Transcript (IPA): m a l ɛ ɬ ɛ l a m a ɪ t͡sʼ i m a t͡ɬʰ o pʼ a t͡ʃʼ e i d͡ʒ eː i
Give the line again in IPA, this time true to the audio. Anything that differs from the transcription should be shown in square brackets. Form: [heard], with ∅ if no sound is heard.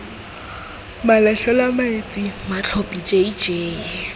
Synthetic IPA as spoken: m a l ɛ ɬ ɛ l a m a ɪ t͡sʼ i m a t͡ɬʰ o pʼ [i] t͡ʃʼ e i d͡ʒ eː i